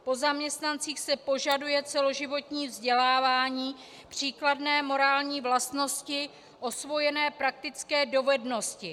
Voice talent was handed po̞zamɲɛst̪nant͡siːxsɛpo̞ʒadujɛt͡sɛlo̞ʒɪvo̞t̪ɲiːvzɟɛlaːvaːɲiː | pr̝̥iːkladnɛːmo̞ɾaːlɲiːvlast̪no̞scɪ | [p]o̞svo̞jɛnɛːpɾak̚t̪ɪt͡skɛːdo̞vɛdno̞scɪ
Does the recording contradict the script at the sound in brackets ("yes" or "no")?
yes